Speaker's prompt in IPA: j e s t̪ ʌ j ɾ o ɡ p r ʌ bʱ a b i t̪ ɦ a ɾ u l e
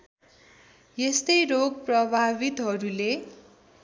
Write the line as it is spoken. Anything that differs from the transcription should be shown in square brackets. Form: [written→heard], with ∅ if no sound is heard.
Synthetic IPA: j e s t̪ ʌ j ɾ o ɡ p r ʌ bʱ a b i t̪ ɦ [a→ʌ] ɾ u l e